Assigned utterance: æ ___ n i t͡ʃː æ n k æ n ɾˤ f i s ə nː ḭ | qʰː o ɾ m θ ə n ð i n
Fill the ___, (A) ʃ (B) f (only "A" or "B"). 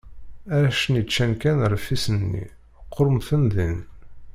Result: A